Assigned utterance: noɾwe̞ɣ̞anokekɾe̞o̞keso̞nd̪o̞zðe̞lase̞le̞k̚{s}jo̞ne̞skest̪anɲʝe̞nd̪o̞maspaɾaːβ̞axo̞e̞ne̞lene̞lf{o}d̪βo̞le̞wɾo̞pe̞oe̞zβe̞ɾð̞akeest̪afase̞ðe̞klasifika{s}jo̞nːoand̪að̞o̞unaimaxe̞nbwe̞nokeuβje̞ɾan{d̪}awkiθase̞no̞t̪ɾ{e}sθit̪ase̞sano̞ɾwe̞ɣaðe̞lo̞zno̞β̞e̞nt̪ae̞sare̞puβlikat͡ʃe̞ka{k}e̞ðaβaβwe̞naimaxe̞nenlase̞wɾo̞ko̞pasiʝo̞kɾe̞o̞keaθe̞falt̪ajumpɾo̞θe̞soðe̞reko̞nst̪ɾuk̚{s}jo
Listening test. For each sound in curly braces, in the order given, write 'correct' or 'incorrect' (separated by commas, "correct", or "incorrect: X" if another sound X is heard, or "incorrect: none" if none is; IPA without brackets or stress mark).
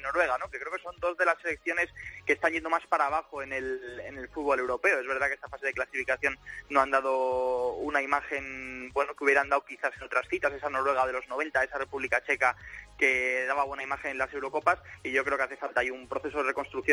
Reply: incorrect: θ, incorrect: u, incorrect: θ, correct, incorrect: a, correct, incorrect: θ